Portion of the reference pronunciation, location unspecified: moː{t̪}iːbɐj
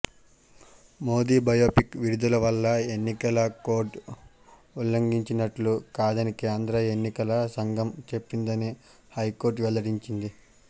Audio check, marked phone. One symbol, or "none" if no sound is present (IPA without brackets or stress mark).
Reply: d̪